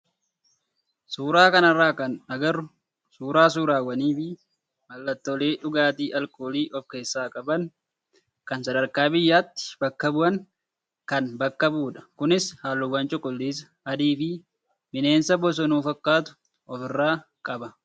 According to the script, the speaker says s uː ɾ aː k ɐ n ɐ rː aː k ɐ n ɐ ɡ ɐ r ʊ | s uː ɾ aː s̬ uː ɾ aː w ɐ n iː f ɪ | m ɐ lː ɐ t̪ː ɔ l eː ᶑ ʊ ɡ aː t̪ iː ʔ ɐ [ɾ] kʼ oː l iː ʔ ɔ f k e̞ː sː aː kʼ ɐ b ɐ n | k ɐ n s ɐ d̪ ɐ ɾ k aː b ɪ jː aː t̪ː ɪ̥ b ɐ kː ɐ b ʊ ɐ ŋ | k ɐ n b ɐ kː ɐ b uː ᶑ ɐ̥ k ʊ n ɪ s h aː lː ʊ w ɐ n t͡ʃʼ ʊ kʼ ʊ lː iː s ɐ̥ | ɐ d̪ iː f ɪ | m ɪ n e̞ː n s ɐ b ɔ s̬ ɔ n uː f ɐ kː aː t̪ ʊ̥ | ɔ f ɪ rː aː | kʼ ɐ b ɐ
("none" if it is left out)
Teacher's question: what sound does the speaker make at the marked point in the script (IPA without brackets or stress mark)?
l